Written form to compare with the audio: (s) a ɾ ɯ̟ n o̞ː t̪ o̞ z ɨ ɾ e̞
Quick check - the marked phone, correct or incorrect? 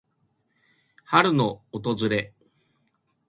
incorrect